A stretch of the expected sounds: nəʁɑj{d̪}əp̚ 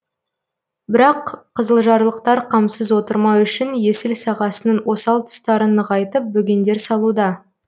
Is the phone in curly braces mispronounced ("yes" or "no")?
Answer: yes